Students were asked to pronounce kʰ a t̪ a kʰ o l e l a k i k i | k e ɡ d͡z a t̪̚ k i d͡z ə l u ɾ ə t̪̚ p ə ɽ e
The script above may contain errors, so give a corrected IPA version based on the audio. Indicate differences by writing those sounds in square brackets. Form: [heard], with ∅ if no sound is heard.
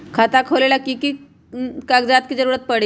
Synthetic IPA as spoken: kʰ a t̪ a kʰ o l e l a k i k i | k [a] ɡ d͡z a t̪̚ k i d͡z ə [ɾ] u ɾ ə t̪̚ p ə ɽ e